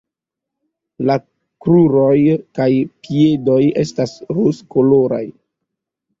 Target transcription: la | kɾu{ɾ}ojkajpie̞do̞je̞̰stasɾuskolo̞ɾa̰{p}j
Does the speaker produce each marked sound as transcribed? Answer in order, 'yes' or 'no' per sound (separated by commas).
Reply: yes, no